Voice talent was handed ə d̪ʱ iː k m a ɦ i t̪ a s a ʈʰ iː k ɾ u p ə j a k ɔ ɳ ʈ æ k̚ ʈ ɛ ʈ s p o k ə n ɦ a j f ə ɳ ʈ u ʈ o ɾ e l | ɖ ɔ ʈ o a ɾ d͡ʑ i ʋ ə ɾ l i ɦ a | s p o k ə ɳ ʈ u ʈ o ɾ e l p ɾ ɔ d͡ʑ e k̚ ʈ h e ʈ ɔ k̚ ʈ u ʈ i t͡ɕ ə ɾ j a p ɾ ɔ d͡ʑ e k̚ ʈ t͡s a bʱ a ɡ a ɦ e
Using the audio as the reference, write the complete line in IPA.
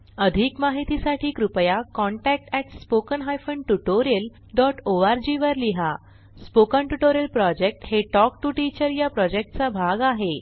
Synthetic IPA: ə d̪ʱ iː k m a ɦ i t̪ i s a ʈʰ iː k ɾ u p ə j a k ɔ ɳ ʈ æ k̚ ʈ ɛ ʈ s p o k ə n ɦ a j f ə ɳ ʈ u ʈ o ɾ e l | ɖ ɔ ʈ o a ɾ d͡ʑ i ʋ ə ɾ l i ɦ a | s p o k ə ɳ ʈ u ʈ o ɾ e l p ɾ ɔ d͡ʑ e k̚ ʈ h e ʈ ɔ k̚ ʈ u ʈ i t͡ɕ ə ɾ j a p ɾ ɔ d͡ʑ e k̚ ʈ t͡s a bʱ a ɡ a ɦ e